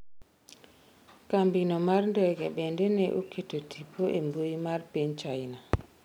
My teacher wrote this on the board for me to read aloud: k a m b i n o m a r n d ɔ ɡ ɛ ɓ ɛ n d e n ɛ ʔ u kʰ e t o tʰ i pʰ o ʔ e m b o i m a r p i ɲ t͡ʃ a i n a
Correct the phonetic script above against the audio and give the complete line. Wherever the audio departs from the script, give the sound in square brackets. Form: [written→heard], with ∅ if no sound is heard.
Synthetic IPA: k a m b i n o m a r n d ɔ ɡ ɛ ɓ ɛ n d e n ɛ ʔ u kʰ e t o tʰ i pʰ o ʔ e m b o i m a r p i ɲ t͡ʃ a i n a